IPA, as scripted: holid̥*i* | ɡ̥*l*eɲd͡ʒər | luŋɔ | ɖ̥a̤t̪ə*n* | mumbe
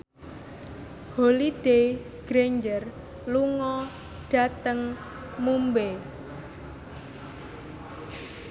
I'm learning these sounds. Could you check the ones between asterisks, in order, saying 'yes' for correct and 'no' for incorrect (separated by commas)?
no, no, no